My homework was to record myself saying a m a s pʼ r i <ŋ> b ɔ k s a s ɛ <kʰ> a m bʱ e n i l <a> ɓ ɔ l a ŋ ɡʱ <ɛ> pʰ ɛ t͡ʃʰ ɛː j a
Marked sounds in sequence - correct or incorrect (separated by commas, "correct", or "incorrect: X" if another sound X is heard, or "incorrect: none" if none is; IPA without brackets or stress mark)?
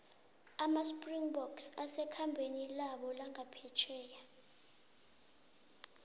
correct, correct, correct, incorrect: a